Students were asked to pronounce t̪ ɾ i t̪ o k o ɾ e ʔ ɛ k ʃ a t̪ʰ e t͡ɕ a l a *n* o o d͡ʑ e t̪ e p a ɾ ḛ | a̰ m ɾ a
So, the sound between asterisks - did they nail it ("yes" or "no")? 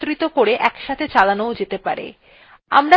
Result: yes